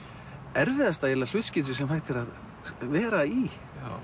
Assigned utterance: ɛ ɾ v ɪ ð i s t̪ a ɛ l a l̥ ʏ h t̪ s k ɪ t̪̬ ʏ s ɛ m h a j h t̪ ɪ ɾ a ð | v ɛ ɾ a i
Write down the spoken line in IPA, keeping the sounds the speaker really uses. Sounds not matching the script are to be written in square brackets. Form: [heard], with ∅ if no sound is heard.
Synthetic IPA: ɛ ɾ v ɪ ð [a] s t̪ a ɛ l a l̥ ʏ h t̪ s [c] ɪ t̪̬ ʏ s ɛ m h a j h t̪ ɪ ɾ a ð | v [ɛː] ɾ a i

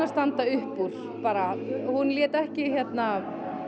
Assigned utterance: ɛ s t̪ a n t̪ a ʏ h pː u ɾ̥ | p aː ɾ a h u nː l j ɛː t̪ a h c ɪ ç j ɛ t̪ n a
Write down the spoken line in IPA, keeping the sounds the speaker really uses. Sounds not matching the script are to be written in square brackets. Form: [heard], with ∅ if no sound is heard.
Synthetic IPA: [a] s t̪ a n t̪ a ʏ h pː u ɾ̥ | p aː ɾ a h u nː l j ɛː t̪ [ɛ] h c ɪ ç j ɛ t̪ n a

